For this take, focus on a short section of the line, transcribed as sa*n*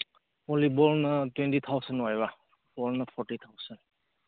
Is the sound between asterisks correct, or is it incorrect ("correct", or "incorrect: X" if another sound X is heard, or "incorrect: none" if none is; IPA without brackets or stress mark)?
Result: correct